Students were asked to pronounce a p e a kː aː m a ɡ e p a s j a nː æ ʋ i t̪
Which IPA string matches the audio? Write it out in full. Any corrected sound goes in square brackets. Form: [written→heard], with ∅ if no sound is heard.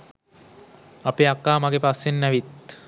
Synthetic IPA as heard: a p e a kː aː m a ɡ e p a s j [a→e] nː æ ʋ i t̪